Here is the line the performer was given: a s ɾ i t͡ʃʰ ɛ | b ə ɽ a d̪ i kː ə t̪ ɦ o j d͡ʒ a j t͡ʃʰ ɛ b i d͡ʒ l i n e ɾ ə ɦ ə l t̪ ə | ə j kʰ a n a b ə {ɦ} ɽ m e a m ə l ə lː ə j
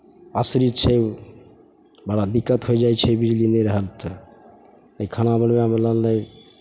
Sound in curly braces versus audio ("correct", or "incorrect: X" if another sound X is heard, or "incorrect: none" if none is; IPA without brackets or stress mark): incorrect: none